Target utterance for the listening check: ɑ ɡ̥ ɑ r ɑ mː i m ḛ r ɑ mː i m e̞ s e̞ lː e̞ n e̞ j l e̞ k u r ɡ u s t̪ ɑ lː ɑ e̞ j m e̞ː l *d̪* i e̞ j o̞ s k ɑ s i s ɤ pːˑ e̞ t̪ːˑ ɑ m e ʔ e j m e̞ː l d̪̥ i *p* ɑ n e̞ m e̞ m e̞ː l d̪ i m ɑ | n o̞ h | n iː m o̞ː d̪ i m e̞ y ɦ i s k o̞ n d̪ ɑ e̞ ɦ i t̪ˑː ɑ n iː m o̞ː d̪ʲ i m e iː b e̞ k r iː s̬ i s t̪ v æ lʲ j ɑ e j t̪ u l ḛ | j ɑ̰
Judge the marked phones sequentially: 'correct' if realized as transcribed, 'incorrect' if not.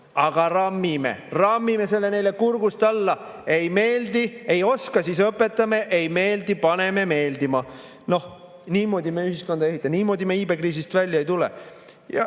correct, correct

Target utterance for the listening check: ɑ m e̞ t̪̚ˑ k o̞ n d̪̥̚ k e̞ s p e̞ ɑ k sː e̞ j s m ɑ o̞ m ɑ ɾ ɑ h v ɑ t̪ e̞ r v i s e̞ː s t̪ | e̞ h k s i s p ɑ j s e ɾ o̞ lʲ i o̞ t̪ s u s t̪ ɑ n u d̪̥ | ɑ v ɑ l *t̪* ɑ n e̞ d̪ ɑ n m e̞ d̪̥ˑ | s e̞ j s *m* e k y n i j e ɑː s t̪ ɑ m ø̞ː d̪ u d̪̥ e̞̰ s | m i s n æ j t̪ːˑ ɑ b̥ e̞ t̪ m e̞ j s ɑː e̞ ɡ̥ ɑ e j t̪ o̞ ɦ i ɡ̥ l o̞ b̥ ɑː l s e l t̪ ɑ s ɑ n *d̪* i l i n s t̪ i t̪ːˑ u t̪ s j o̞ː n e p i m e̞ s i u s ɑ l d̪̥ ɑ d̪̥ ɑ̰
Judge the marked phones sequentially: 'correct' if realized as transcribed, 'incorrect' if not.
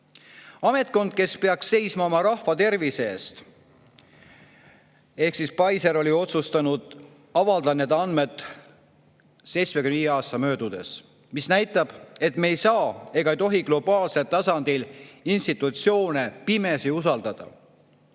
incorrect: d̪, correct, correct

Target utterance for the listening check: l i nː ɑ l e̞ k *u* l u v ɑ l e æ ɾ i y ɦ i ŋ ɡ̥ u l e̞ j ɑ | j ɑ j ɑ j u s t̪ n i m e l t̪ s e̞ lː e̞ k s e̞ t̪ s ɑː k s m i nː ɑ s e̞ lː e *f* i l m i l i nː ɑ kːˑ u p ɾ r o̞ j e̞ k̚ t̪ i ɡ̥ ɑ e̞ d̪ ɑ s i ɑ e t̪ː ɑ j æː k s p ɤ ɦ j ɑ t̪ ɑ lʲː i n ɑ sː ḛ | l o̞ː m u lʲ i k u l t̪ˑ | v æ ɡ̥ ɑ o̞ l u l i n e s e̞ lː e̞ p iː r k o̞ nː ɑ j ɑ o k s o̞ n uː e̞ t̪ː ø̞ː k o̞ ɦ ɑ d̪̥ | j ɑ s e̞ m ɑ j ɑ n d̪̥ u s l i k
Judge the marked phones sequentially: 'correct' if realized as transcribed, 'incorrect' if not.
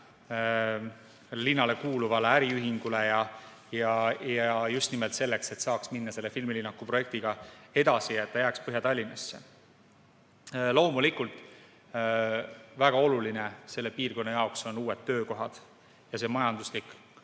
incorrect: uː, correct

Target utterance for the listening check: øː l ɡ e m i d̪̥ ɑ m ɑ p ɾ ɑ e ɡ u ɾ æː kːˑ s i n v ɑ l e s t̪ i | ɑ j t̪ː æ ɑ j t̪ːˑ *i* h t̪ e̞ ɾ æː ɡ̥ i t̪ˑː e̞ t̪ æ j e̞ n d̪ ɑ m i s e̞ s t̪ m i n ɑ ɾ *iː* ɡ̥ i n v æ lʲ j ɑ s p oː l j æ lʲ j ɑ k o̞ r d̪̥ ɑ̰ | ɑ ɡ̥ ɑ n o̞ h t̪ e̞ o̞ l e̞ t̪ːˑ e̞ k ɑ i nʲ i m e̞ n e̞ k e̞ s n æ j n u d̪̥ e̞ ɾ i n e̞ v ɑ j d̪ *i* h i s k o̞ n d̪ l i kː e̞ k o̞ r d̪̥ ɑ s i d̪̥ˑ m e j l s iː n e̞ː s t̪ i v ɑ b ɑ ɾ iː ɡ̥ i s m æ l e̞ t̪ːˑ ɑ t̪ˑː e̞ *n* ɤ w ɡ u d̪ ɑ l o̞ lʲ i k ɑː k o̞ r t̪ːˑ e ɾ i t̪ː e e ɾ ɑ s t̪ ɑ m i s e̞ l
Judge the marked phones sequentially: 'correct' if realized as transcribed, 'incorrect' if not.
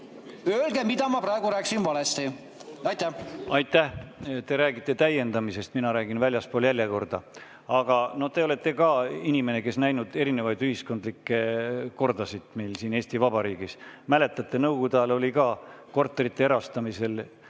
incorrect: æ, incorrect: æː, incorrect: y, correct

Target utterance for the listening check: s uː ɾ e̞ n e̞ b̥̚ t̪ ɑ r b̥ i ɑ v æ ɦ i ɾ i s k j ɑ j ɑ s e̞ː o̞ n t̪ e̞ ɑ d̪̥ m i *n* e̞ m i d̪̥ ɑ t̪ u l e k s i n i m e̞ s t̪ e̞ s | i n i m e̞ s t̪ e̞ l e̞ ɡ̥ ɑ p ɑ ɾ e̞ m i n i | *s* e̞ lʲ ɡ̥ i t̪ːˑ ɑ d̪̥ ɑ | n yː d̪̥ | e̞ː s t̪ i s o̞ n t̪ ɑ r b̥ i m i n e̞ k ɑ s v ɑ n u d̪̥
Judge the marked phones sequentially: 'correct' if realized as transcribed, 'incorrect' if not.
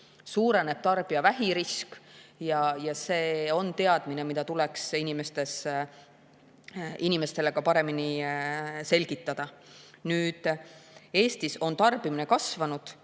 correct, correct

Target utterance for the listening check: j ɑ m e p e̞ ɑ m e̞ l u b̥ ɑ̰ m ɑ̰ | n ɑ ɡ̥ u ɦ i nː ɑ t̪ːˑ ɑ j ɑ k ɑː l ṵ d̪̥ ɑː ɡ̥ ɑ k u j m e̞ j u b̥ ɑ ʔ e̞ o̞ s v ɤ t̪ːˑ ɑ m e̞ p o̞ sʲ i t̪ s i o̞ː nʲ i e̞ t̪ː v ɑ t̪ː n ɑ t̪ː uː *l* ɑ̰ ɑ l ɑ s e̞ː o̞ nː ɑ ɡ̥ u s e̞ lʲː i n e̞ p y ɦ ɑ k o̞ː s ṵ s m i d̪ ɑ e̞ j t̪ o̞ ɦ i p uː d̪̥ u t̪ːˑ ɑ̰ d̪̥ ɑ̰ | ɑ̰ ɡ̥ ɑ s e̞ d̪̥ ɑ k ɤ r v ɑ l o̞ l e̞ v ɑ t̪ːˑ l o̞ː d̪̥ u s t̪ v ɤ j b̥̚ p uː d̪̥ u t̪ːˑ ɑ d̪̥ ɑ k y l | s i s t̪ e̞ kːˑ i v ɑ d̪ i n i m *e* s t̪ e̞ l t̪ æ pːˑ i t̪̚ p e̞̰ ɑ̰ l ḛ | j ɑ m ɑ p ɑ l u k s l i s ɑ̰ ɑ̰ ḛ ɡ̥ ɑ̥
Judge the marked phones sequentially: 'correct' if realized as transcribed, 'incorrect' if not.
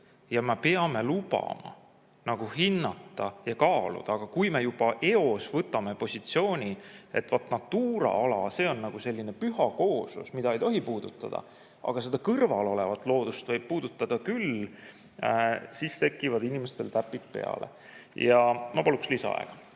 incorrect: ɾ, correct

